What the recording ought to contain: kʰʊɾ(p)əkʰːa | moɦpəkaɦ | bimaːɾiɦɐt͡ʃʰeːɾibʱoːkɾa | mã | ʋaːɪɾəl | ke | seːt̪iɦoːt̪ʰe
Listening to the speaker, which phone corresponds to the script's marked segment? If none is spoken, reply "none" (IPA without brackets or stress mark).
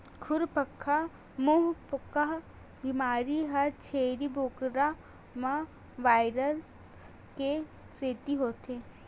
p